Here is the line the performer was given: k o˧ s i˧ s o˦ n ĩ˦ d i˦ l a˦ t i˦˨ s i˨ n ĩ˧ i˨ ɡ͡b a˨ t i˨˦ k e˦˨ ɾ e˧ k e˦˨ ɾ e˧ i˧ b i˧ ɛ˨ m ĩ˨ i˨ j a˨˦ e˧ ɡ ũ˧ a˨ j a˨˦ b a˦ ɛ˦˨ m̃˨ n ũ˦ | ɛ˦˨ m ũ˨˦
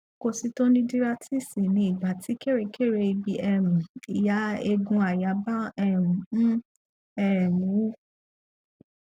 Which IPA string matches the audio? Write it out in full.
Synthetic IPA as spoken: k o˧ s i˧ t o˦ n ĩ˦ d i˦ ɾ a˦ t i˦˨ s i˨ n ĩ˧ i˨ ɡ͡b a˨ t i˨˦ k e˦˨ ɾ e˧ k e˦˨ ɾ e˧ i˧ b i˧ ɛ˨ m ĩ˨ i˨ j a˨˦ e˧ ɡ ũ˧ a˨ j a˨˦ b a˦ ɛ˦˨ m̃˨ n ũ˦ | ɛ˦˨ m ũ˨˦